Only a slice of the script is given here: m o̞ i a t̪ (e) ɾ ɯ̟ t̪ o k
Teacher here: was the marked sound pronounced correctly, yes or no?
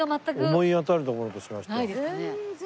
no